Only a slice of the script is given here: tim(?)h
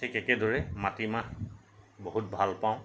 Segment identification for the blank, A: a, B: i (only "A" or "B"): A